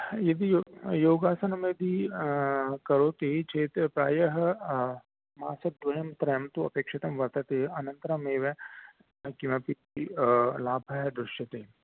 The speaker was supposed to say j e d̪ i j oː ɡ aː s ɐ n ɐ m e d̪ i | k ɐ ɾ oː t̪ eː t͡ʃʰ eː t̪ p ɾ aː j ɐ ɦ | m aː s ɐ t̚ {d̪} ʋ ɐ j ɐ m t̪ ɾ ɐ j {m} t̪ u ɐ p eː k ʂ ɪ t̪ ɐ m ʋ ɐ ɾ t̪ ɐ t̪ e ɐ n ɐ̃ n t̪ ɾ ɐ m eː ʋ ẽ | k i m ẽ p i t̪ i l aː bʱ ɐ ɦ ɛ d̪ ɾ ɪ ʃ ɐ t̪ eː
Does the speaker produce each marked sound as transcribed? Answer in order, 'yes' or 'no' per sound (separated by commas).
yes, yes